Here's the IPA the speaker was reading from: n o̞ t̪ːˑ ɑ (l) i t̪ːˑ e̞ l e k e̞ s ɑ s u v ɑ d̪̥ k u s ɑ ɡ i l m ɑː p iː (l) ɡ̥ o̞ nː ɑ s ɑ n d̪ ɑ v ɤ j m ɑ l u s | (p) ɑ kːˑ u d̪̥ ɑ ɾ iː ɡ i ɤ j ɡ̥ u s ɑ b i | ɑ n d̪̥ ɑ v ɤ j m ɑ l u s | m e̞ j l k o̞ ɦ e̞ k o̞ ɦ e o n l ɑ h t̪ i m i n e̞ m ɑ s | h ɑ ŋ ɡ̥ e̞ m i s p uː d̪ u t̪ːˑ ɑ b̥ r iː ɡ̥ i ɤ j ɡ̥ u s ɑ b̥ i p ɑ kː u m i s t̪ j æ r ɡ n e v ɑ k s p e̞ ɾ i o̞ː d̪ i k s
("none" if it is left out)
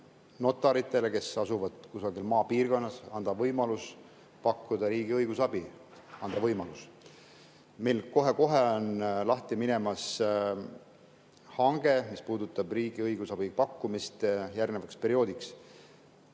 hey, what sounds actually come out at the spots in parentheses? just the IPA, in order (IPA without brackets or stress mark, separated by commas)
ɾ, r, p